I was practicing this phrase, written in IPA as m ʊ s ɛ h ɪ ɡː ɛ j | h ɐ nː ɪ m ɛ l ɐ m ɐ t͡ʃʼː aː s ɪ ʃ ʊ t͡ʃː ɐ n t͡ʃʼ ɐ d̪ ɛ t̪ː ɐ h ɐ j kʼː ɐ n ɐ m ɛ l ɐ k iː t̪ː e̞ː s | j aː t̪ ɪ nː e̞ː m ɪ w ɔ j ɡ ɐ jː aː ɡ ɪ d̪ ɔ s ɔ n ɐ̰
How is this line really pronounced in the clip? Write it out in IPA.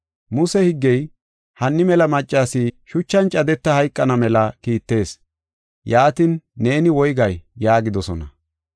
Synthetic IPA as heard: m ʊ s ɛ h ɪ ɡː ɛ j | h ɐ nː ɪ m ɛ l ɐ m ɐ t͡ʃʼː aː s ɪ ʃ ʊ t͡ʃː ɐ n t͡ʃʼ ɐ d̪ ɛ t̪ː ɐ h ɐ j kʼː ɐ n ɐ m ɛ l ɐ k iː t̪ː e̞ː s | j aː t̪ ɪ nː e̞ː n ɪ w ɔ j ɡ ɐ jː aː ɡ ɪ d̪ ɔ s ɔ n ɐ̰

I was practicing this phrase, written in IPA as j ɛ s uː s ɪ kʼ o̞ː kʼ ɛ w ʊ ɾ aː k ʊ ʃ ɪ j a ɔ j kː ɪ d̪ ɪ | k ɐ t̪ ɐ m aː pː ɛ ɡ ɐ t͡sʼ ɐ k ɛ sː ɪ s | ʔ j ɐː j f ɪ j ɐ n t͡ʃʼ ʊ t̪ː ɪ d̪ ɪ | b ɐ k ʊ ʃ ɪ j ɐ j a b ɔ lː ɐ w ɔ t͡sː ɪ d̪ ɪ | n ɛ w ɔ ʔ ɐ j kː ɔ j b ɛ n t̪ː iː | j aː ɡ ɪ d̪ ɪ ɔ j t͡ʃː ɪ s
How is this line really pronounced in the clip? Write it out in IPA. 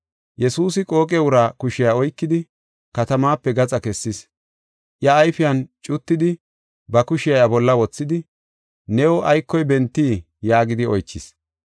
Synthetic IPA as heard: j ɛ s uː s ɪ kʼ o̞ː kʼ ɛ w ʊ ɾ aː k ʊ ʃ ɪ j a ɔ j kː ɪ d̪ ɪ | k ɐ t̪ ɐ m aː pː ɛ ɡ ɐ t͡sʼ ɐ k ɛ sː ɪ s | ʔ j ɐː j f ɪ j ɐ n t͡ʃʼ ʊ t̪ː ɪ d̪ ɪ | b ɐ k ʊ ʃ ɪ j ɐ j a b ɔ lː ɐ w ɔ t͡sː ɪ d̪ ɪ | n ɛ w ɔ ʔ ɐ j kː ɔ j b ɛ n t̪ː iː | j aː ɡ ɪ d̪ ɪ ɔ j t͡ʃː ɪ s

